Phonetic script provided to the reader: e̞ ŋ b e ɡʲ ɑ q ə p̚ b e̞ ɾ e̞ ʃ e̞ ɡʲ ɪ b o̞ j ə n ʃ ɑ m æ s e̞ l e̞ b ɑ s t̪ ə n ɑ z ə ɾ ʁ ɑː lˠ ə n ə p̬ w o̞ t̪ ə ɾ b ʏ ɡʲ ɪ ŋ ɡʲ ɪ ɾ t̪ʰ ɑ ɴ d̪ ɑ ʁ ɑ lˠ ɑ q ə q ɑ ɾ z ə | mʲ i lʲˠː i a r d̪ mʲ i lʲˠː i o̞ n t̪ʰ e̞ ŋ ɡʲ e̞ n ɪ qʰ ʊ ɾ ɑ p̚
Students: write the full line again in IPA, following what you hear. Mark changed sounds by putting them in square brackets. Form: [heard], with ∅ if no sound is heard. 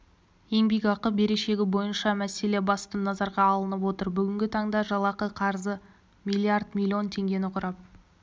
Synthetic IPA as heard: e̞ ŋ b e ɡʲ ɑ q ə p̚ b e̞ ɾ e̞ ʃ e̞ ɡʲ ɪ b o̞ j ə n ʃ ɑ m æ s e̞ l e̞ b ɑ s t̪ ə n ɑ z [ɑ] ɾ ʁ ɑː lˠ ə n ə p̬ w o̞ t̪ ə ɾ b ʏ ɡʲ ɪ ŋ ɡʲ ɪ [∅] t̪ʰ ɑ ɴ d̪ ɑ [ʒ] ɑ lˠ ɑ q ə [qʰ] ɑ ɾ z ə | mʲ i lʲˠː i a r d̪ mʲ i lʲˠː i o̞ n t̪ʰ e̞ ŋ ɡʲ e̞ n ɪ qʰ ʊ ɾ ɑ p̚